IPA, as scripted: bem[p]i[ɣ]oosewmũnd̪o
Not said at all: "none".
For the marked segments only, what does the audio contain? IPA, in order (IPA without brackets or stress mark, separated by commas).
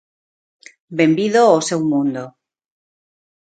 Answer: b, ð